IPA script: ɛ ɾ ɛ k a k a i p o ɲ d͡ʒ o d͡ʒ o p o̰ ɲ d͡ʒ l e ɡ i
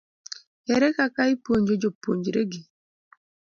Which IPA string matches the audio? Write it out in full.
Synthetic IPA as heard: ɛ ɾ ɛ k a k a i p o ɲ d͡ʒ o d͡ʒ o p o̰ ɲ d͡ʒ ɾ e ɡ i